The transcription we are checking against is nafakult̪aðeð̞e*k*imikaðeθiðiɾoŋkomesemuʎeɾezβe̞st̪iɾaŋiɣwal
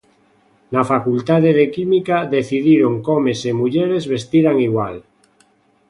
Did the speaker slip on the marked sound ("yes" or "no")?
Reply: no